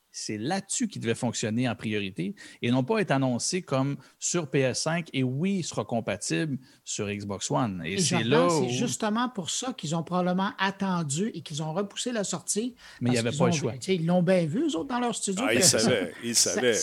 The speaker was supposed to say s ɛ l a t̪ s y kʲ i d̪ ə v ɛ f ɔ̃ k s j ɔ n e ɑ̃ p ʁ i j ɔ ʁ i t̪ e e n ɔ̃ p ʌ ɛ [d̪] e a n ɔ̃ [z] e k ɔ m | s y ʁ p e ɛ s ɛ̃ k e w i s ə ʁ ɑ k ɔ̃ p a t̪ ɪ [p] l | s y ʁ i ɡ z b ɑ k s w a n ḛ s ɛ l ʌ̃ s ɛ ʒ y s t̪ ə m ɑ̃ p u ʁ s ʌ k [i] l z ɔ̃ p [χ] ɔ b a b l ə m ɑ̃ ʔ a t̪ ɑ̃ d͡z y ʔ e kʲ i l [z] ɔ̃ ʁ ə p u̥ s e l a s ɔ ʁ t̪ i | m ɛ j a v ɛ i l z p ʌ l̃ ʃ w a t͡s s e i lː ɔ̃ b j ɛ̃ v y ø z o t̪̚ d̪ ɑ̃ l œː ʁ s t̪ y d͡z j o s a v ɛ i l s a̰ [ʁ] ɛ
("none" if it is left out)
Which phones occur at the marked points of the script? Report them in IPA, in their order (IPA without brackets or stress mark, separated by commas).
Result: t̪, s, b, i, ʁ, z, v